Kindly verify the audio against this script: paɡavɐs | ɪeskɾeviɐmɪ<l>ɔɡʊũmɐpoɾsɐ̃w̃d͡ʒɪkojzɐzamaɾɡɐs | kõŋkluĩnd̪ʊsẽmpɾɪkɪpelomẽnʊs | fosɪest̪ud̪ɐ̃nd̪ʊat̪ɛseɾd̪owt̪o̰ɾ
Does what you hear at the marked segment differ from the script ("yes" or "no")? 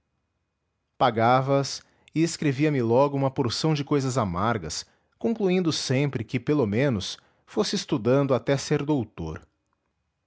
no